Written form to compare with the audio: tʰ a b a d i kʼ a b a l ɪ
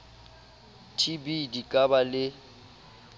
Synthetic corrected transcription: tʰ i b i d i kʼ a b a l ɪ